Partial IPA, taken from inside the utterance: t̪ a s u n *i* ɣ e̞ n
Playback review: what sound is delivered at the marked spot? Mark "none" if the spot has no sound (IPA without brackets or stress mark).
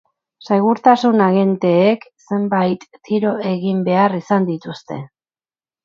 a